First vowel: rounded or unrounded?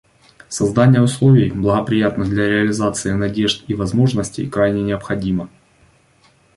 unrounded